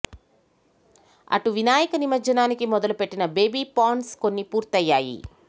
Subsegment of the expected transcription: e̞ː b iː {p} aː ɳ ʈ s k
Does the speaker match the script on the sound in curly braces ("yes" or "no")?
yes